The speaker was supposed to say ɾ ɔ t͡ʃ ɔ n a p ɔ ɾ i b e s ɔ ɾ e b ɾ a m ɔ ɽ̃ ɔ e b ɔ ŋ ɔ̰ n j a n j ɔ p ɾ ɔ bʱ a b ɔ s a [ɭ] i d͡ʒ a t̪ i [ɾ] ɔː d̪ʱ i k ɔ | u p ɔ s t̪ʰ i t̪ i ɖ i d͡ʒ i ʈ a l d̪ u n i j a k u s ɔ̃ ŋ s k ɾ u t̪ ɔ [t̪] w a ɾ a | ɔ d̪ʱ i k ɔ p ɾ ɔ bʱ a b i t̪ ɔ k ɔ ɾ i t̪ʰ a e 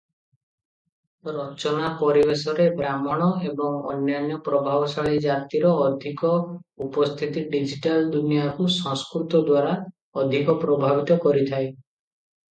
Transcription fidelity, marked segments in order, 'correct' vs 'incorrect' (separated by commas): correct, correct, incorrect